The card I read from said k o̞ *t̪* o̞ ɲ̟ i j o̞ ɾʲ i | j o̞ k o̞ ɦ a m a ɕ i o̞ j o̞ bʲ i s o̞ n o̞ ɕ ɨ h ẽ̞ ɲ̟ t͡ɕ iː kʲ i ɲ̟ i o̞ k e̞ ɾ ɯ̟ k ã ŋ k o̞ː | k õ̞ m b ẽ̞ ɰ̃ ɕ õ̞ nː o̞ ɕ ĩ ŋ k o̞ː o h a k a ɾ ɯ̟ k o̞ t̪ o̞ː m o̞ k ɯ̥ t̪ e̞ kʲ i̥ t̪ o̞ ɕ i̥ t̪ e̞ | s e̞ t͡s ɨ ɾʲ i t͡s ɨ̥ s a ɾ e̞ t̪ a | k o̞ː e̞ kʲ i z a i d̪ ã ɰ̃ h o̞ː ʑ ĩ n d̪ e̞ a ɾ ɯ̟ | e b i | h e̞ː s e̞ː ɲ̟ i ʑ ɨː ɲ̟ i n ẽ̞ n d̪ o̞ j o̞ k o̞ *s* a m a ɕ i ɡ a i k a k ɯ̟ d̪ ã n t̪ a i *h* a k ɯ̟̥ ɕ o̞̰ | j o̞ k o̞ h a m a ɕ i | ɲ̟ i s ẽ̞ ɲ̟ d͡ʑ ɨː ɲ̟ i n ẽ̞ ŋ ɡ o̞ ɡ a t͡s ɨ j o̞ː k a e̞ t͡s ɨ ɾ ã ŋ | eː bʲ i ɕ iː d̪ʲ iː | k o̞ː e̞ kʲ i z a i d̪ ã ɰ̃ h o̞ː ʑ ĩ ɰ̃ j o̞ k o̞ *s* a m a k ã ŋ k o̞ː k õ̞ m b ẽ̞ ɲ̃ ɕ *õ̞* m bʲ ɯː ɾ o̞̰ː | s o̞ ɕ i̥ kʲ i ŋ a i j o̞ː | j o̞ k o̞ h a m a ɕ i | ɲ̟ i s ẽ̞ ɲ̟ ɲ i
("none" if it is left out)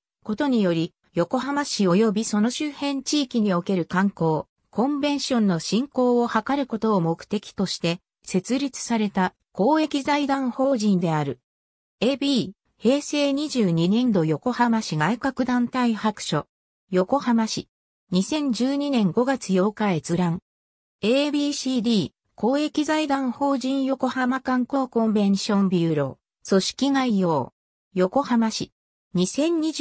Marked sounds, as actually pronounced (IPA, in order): t̪, h, h, h, õ̞

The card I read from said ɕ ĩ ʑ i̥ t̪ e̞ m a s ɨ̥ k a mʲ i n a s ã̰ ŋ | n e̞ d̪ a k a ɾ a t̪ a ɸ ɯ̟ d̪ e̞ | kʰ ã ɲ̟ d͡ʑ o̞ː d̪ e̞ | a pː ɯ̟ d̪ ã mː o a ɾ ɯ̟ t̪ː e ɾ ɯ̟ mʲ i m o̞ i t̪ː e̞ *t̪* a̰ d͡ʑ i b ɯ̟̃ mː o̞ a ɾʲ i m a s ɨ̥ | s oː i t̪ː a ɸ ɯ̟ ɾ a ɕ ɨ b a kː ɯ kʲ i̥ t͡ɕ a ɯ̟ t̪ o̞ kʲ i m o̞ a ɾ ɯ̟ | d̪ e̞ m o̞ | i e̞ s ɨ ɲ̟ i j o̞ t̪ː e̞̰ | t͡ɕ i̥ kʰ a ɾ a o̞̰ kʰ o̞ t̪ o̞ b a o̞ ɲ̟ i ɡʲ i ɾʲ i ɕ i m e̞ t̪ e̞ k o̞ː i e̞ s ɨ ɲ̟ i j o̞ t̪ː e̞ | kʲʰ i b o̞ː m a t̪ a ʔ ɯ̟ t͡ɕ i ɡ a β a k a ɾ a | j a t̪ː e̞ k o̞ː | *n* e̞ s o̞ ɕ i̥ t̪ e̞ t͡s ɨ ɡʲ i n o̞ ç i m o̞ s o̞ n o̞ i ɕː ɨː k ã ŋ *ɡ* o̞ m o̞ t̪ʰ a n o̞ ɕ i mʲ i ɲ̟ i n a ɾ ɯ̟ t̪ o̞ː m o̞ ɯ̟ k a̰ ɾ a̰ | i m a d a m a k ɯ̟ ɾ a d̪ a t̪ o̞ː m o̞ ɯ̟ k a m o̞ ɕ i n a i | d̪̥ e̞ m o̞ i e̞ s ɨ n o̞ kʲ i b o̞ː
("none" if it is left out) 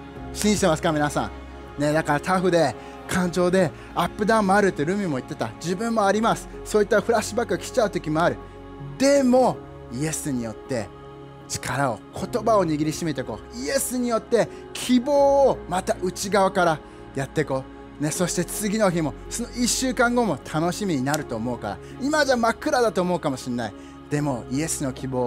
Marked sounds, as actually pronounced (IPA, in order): t̪, n, ɡ

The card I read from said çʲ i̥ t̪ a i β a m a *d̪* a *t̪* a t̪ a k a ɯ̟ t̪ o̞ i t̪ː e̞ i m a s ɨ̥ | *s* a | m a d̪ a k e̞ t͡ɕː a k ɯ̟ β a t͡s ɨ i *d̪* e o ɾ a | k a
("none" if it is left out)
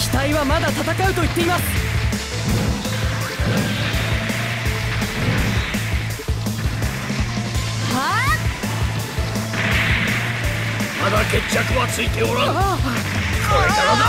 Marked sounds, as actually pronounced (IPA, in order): d̪, t̪, h, t̪

